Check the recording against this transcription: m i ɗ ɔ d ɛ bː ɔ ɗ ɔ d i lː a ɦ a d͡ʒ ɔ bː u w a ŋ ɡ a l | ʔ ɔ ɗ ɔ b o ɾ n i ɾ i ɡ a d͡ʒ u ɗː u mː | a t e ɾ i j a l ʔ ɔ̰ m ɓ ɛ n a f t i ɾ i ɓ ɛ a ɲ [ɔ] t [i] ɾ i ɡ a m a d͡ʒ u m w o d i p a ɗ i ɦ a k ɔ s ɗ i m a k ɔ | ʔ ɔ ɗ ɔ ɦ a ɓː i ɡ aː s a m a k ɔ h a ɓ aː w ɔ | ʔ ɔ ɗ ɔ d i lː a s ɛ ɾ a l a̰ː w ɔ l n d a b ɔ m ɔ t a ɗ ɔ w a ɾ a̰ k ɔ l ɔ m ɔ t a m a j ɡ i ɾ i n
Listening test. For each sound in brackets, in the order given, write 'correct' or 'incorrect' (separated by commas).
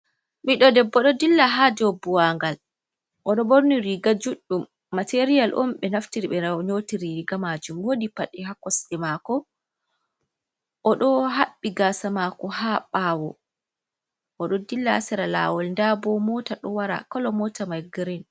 incorrect, correct